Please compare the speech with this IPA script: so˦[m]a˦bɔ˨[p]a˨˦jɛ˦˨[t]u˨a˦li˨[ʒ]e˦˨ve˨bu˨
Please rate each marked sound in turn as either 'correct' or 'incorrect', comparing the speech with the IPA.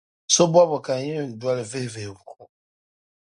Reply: incorrect, incorrect, incorrect, incorrect

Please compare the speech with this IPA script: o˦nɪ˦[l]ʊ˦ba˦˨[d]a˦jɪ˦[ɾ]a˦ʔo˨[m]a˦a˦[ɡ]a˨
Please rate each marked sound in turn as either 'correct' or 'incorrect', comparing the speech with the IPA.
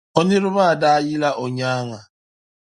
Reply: incorrect, correct, incorrect, incorrect, incorrect

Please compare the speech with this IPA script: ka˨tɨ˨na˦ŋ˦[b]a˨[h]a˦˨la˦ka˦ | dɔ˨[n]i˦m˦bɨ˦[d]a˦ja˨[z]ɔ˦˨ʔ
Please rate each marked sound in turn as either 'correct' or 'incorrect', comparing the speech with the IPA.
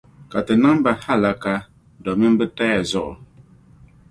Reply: correct, correct, incorrect, incorrect, correct

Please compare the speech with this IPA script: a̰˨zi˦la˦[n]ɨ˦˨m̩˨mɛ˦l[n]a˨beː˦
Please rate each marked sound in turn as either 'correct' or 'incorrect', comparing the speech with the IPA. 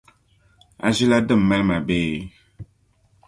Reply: incorrect, incorrect

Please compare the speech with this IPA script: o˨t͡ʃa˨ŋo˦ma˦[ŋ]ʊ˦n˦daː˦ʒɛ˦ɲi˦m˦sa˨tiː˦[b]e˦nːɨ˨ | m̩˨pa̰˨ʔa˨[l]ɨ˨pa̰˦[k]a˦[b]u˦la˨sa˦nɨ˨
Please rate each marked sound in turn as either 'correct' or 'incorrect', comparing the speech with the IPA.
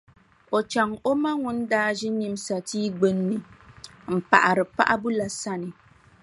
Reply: correct, incorrect, incorrect, incorrect, correct

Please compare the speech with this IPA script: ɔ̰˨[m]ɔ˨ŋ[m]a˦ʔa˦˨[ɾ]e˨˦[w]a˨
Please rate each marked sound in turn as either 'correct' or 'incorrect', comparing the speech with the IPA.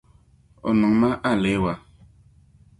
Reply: incorrect, correct, incorrect, correct

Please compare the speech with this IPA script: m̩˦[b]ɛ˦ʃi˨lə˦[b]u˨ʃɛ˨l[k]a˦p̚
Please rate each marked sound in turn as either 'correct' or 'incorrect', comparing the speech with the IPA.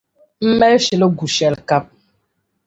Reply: incorrect, incorrect, correct

